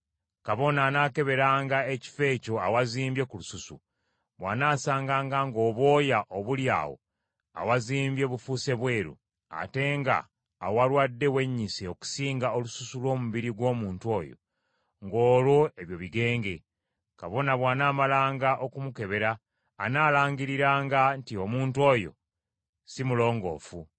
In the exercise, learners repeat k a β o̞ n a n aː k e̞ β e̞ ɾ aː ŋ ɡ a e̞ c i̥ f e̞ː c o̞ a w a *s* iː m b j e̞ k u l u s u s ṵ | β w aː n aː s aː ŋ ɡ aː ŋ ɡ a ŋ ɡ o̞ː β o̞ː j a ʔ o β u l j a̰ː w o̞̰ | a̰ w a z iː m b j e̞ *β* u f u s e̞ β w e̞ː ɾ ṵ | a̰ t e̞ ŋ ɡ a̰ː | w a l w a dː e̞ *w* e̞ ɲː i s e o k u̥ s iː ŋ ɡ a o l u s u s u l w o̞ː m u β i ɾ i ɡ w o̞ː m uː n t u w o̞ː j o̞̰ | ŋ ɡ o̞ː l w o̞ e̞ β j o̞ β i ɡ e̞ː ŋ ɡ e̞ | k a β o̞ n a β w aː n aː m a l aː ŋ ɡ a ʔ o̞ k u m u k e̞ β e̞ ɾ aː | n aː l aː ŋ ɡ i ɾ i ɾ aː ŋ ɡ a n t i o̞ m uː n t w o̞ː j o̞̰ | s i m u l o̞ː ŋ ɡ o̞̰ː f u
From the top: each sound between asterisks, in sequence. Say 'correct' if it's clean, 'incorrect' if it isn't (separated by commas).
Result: incorrect, correct, correct